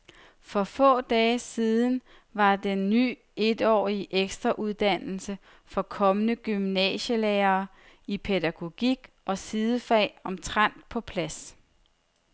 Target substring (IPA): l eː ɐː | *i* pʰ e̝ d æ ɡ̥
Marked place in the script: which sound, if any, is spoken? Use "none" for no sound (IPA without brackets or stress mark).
i